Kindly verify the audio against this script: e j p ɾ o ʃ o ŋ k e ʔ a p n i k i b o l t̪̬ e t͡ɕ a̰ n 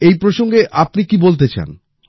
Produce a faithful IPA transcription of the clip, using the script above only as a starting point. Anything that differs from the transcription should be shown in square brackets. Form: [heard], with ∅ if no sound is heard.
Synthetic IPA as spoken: e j p ɾ o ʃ o ŋ [ɡ] e ʔ a p n i k i b o l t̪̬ e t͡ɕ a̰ n